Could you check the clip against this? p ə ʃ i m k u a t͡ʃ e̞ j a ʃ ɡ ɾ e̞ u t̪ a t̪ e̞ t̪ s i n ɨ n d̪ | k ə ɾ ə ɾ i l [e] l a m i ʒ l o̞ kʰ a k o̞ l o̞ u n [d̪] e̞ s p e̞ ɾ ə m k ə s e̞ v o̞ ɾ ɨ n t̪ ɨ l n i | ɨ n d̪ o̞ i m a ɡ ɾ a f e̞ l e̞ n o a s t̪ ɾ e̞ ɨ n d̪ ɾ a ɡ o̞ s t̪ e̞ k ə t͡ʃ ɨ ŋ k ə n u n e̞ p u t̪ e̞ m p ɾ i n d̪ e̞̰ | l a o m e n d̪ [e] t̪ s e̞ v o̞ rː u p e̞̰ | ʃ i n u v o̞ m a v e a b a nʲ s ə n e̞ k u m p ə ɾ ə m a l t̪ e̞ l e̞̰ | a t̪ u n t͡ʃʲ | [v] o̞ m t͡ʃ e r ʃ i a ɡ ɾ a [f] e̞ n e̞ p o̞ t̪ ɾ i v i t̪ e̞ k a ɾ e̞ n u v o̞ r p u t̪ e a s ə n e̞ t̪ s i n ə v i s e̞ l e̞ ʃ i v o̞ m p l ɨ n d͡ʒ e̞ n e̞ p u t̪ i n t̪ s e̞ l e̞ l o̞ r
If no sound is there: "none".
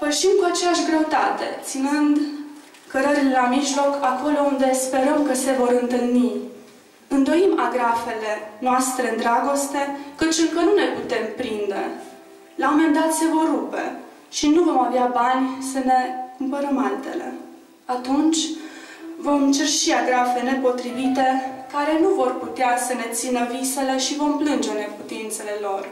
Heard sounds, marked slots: e, d̪, a, v, f

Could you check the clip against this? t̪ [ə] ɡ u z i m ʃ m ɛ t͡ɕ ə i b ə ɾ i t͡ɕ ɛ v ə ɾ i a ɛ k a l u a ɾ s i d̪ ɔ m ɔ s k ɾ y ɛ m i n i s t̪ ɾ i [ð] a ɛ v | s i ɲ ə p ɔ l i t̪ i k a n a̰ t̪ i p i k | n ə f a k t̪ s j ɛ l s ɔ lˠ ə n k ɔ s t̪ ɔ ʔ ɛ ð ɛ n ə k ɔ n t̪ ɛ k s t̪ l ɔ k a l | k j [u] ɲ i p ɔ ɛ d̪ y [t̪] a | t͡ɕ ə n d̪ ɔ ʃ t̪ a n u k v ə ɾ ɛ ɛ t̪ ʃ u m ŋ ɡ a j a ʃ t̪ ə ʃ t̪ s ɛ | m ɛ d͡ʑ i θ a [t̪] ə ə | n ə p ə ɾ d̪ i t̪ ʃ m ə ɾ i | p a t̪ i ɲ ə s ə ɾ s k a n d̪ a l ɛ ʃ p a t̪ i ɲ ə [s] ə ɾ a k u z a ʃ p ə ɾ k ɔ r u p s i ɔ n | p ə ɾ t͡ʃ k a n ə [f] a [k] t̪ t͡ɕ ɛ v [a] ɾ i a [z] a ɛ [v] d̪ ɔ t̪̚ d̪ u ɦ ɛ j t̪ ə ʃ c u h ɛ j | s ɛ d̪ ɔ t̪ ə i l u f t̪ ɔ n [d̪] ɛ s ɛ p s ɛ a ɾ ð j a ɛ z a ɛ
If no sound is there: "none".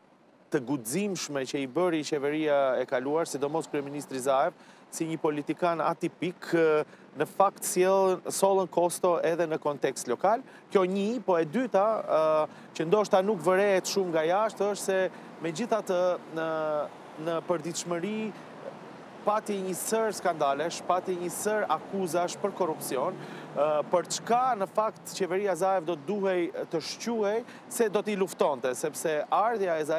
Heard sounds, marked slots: ə, z, ɔ, t̪, t̪, s, f, k, ɛ, z, v, t̪

